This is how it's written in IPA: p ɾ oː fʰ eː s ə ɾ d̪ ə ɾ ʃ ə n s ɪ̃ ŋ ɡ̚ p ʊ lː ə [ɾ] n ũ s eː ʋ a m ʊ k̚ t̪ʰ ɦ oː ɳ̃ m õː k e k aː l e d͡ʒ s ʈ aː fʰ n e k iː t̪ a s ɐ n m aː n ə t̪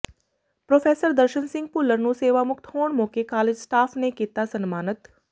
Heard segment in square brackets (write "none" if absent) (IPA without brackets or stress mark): ɾ